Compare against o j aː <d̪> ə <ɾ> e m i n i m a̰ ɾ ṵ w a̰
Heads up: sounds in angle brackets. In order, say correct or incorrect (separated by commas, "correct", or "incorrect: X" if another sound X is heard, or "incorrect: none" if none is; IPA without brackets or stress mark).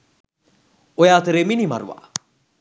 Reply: incorrect: t̪, correct